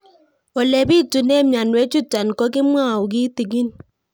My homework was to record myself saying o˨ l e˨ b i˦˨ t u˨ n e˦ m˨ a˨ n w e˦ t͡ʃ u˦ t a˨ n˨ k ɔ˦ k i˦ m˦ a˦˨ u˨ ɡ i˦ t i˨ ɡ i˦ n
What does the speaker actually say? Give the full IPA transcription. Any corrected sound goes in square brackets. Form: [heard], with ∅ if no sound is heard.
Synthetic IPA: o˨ l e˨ b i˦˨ t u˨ n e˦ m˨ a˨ n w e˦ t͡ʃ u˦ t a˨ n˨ k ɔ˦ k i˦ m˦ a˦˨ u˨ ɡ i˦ t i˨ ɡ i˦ n